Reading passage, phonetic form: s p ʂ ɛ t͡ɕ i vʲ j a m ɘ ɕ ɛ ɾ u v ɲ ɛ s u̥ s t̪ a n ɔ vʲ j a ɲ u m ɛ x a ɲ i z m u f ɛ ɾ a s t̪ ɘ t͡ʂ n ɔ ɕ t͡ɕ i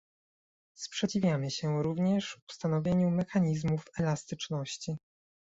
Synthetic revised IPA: s p ʂ ɛ t͡ɕ i vʲ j a m ɘ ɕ ɛ ɾ u v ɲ ɛ ʂ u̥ s t̪ a n ɔ vʲ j e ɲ u m ɛ x a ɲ i z m u f ɛ l a s t̪ ɘ t͡ʂ n ɔ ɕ t͡ɕ i